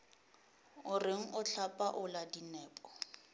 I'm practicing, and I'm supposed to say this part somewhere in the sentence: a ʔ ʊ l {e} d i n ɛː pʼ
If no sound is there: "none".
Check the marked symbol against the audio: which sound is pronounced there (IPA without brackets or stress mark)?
a